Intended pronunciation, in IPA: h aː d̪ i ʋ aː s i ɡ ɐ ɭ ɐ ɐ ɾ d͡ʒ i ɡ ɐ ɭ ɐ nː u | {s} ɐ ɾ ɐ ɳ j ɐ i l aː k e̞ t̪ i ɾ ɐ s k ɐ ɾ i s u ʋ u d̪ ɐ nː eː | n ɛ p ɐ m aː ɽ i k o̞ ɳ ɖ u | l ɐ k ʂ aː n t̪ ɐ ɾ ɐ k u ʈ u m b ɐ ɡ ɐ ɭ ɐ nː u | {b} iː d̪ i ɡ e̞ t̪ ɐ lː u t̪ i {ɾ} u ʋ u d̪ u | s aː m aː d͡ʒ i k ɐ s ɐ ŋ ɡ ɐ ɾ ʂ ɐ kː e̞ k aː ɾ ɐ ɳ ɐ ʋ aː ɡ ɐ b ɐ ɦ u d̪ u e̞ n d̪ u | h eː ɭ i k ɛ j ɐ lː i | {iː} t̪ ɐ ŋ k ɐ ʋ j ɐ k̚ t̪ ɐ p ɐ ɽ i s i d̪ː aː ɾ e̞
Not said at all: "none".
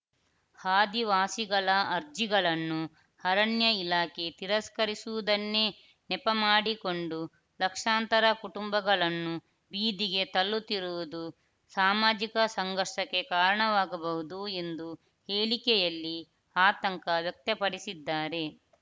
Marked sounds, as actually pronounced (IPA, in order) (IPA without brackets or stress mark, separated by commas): h, b, ɾ, aː